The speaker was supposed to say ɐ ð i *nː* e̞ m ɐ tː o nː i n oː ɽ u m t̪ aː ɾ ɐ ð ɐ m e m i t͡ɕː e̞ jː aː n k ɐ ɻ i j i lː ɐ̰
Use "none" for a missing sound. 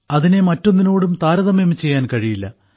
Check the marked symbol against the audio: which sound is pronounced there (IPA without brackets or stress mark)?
n